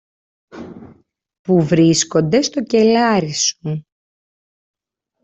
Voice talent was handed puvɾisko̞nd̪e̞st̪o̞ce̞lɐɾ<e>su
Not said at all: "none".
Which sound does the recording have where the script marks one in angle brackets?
i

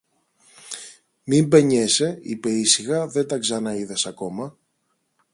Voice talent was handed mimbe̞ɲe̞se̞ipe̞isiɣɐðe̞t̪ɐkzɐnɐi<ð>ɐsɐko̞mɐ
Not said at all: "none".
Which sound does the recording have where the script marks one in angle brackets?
ð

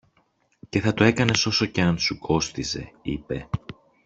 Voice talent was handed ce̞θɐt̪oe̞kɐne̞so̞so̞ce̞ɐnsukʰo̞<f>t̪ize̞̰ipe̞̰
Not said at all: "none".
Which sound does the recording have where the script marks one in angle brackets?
s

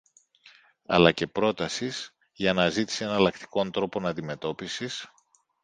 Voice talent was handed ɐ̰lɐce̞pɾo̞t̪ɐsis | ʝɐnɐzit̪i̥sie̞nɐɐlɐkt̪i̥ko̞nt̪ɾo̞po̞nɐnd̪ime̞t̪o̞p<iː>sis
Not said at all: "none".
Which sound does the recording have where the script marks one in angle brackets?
i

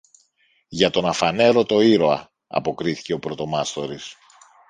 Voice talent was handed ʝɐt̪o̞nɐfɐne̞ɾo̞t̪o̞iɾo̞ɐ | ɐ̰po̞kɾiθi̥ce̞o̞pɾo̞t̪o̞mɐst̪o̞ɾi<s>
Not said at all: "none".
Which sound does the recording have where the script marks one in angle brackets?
s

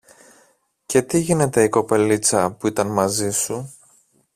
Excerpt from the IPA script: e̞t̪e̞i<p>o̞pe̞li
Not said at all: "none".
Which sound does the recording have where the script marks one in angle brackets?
k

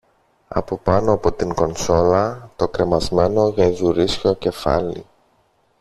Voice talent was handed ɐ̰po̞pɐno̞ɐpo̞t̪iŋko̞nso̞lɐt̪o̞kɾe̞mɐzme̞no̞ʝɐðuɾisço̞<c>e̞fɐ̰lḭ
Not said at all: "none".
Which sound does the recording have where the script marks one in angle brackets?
c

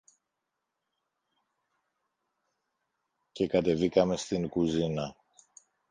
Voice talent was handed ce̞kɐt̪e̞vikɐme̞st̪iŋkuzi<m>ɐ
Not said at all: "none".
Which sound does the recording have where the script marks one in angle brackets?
n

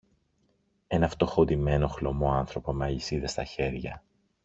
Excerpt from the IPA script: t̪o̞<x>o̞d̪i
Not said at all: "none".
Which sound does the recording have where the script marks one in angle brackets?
x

